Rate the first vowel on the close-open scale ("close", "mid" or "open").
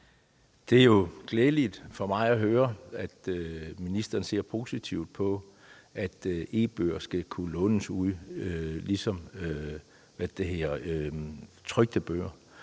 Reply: mid